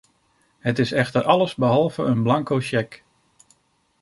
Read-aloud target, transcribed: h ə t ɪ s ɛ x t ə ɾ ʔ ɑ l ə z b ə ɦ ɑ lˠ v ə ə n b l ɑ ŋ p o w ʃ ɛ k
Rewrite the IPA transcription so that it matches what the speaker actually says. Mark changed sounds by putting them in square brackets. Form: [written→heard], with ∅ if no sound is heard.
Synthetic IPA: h ə t ɪ s ɛ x t ə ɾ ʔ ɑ l ə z b ə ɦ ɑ lˠ v ə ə n b l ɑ ŋ [p→k] o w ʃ ɛ k